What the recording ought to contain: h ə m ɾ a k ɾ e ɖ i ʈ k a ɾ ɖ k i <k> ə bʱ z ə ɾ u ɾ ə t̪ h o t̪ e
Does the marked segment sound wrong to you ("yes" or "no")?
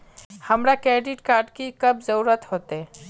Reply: no